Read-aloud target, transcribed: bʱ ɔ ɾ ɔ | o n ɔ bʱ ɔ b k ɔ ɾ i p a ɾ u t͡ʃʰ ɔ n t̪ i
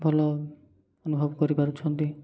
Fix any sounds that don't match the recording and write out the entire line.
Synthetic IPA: bʱ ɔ l ɔ | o n u bʱ ɔ b k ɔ ɾ i p a ɾ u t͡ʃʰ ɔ n t̪ i